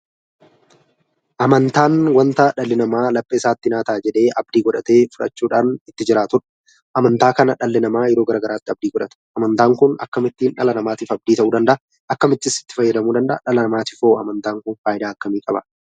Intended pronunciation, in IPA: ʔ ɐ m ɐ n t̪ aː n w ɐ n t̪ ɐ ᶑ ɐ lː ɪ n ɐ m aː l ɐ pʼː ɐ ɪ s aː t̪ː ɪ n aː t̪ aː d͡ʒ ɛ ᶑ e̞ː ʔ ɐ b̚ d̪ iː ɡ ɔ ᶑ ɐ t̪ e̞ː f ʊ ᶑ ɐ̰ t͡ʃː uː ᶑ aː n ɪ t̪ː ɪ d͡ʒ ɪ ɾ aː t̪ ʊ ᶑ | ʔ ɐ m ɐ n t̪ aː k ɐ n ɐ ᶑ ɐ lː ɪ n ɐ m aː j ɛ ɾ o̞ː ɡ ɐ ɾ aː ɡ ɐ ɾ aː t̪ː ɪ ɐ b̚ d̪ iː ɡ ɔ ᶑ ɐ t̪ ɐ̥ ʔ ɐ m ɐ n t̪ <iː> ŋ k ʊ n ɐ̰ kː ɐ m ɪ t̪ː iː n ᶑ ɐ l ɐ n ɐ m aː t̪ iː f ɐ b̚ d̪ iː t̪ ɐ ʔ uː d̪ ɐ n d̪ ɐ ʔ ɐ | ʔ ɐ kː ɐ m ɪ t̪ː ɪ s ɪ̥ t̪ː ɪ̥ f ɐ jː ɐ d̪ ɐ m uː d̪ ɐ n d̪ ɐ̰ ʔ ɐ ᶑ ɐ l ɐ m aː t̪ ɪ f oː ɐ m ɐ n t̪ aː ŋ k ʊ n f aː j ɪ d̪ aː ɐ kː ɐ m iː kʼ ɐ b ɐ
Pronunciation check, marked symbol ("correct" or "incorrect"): incorrect